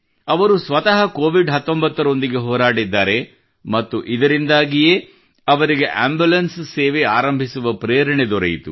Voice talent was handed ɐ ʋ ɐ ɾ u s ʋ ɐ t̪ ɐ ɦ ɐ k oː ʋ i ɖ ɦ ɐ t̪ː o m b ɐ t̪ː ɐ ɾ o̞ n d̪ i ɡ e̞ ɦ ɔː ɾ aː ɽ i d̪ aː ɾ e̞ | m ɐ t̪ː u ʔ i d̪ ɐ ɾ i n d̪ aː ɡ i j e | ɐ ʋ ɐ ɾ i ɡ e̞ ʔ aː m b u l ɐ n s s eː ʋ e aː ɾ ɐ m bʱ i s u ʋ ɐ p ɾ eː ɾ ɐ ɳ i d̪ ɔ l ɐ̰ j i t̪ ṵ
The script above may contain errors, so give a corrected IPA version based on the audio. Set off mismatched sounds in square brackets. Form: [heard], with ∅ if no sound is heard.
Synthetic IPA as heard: ɐ ʋ ɐ ɾ u s ʋ ɐ t̪ ɐ ɦ ɐ k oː ʋ i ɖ ɦ ɐ t̪ː o m b ɐ t̪ː ɐ ɾ o̞ n d̪ i ɡ e̞ ɦ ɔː ɾ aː ɽ i [d̪ː] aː ɾ e̞ | m ɐ t̪ː u ʔ i d̪ ɐ ɾ i n d̪ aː ɡ i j e | ɐ ʋ ɐ ɾ i ɡ e̞ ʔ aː m b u l ɐ n s s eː ʋ e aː ɾ ɐ m bʱ i s u ʋ ɐ p ɾ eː ɾ ɐ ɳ [e] d̪ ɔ [ɾ] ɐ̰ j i t̪ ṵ